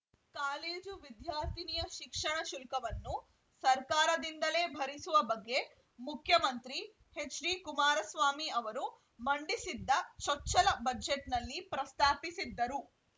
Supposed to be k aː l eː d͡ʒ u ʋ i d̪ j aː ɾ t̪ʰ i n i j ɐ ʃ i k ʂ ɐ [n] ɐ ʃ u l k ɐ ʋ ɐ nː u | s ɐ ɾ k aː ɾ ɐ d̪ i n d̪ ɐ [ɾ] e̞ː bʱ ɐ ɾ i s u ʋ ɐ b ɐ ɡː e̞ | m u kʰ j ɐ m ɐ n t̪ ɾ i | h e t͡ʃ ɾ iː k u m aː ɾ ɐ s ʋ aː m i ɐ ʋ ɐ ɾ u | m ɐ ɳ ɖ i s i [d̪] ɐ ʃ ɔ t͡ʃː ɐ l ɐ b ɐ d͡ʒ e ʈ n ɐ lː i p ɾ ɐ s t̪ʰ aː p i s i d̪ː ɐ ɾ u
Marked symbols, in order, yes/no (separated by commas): no, no, no